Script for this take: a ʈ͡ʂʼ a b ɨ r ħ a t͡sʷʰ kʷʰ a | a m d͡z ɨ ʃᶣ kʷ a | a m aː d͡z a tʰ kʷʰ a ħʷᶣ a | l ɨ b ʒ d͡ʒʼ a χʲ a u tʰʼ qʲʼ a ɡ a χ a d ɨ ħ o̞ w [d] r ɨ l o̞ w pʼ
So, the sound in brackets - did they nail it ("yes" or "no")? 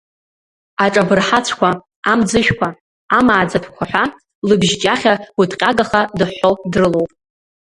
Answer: yes